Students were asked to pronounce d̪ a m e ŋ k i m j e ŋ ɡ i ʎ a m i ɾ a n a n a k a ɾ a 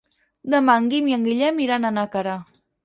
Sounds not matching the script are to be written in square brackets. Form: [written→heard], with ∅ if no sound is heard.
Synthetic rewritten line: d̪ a m [e→a] ŋ [k→ɡ] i m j [e→a] ŋ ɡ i ʎ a m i ɾ a n a n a k a ɾ a